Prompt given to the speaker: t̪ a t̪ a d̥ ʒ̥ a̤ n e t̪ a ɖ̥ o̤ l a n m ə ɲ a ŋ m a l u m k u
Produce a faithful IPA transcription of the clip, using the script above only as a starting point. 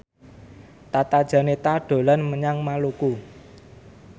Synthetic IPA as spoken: t̪ a t̪ a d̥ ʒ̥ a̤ n e t̪ a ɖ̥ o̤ l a n m ə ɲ a ŋ m a l u k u